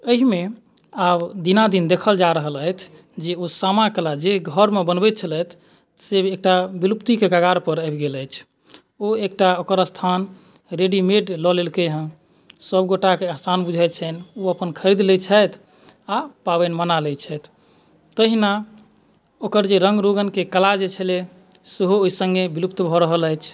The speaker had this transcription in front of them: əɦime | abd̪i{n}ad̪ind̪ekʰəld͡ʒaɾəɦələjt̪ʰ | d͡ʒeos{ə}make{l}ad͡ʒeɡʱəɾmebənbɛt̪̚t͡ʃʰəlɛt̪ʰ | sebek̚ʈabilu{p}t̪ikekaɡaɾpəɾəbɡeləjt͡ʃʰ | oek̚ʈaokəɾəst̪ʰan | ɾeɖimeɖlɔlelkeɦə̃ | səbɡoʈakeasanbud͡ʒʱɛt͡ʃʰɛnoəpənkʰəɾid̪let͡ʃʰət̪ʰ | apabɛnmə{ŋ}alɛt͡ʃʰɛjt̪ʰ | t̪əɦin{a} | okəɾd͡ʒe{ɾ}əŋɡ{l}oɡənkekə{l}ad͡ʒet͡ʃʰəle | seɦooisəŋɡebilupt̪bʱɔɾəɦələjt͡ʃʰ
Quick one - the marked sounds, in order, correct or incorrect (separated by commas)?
correct, incorrect, correct, correct, incorrect, correct, correct, incorrect, correct